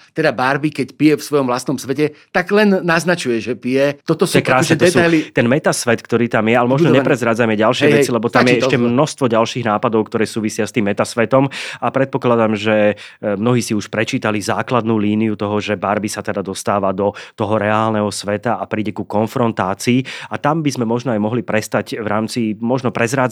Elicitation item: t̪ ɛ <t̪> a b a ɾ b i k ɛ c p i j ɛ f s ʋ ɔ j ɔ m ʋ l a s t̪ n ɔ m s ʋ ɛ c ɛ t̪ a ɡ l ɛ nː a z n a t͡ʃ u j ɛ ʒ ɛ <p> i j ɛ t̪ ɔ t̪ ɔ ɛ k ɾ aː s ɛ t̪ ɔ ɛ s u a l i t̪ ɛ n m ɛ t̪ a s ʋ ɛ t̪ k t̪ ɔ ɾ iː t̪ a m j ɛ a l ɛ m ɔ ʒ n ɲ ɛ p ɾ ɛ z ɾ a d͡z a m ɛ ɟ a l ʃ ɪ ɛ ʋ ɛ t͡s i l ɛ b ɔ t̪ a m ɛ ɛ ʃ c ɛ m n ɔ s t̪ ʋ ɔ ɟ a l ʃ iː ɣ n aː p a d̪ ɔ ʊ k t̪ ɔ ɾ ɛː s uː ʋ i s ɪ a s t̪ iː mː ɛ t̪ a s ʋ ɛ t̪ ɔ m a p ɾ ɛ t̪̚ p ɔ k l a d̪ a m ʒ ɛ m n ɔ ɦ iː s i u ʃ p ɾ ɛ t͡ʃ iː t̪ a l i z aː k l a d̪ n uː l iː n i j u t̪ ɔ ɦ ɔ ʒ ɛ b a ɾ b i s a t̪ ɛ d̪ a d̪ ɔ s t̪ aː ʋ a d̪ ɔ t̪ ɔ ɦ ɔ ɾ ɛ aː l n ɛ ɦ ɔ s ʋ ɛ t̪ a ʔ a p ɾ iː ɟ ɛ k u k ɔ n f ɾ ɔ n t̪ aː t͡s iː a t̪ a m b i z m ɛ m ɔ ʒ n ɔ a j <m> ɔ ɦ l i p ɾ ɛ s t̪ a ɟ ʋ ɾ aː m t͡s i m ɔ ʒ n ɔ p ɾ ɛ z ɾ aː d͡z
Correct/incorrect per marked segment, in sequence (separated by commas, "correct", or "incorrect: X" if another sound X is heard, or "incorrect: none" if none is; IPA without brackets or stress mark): incorrect: d̪, correct, correct